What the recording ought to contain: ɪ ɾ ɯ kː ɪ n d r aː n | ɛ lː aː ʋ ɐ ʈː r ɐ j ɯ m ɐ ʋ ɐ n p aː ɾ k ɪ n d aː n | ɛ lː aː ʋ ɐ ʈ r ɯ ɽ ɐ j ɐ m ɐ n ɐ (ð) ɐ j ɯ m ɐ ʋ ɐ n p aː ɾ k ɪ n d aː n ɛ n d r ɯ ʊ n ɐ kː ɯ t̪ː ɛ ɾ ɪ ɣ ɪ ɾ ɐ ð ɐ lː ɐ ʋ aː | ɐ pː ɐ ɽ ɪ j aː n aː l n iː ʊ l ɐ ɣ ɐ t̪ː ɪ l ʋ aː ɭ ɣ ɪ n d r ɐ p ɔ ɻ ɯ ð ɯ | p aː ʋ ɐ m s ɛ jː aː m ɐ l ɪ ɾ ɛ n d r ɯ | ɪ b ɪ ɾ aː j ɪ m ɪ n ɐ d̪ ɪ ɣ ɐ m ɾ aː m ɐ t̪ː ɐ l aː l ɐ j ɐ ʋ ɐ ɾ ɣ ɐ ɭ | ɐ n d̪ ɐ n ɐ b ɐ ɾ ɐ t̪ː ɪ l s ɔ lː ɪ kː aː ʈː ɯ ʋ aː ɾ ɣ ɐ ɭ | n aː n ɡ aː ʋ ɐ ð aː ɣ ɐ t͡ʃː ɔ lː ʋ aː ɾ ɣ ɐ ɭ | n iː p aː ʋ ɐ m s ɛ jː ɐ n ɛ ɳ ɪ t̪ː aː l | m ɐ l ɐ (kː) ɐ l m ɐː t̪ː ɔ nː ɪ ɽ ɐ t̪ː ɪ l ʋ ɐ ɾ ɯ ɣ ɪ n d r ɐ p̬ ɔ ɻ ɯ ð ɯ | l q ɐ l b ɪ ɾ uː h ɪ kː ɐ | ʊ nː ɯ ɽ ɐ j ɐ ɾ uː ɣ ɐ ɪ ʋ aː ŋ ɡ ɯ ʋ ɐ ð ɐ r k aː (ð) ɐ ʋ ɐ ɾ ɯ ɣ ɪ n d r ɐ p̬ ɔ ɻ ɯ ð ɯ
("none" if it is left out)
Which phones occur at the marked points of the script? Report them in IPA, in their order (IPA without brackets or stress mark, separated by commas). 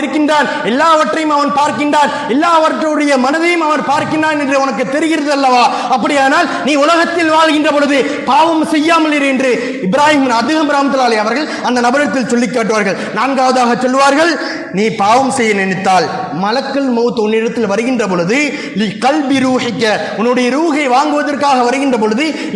ð, kː, ɣ